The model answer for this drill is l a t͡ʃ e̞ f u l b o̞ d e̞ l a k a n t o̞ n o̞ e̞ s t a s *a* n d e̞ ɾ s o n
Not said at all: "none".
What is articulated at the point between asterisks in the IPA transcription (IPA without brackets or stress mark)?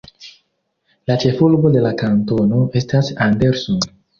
a